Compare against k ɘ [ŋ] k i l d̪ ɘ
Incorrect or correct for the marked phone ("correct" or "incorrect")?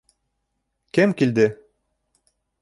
incorrect